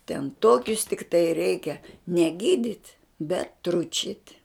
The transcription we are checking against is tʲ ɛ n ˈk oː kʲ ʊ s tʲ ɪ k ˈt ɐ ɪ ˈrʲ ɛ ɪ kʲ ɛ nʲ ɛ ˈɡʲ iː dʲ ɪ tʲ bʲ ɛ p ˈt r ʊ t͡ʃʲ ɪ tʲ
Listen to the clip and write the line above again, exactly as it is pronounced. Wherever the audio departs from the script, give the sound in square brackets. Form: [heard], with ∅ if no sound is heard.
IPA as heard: tʲ ɛ n [ˈt] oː kʲ ʊ s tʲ ɪ k ˈt ɐ ɪ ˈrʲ ɛ ɪ kʲ ɛ nʲ ɛ ˈɡʲ iː dʲ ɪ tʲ bʲ ɛ [t] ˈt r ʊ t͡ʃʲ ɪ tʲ